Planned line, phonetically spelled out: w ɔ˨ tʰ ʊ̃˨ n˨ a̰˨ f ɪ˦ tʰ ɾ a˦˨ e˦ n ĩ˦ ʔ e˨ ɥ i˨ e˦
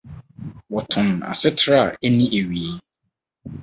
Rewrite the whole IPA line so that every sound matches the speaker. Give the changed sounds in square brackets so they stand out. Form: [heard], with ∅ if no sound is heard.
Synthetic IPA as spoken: w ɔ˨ tʰ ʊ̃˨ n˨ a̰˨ [s] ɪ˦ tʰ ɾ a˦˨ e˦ n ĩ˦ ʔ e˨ ɥ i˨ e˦